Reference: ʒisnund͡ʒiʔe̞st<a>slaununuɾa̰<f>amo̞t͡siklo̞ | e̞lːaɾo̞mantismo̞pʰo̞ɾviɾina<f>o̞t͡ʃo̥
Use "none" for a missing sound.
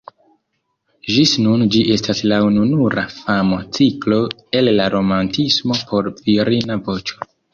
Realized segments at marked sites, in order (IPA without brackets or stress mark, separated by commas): a, f, v